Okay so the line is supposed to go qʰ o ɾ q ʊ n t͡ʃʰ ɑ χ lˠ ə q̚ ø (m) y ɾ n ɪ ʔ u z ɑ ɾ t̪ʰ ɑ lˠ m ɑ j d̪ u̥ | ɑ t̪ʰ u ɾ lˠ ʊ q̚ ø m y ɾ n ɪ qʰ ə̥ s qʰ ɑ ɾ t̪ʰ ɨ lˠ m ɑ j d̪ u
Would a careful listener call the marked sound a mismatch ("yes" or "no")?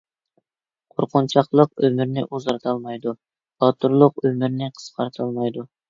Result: no